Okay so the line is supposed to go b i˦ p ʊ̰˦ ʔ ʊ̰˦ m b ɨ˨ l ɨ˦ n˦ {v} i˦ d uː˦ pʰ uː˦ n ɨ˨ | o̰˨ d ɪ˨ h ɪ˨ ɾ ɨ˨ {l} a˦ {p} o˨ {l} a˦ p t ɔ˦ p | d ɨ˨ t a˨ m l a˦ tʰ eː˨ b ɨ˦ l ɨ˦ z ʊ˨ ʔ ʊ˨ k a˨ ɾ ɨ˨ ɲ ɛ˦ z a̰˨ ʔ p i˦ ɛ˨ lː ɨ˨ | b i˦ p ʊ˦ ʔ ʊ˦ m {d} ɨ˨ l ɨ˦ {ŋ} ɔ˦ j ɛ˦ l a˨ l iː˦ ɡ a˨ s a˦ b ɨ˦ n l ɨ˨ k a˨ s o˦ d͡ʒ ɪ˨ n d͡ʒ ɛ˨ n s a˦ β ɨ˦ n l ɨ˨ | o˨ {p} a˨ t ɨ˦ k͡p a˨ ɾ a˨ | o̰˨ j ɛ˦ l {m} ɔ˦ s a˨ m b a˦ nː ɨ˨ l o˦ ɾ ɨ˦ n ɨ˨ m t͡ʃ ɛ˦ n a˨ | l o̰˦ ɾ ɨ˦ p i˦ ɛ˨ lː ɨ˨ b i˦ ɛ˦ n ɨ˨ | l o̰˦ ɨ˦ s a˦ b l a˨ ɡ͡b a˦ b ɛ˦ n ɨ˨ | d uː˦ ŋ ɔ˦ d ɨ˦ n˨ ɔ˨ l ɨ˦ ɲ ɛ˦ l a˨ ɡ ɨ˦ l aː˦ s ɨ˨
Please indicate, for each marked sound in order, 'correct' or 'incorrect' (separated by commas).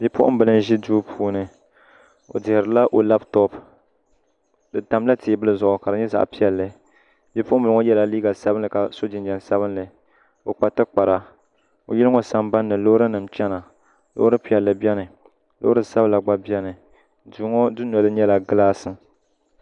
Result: incorrect, correct, incorrect, correct, incorrect, correct, incorrect, incorrect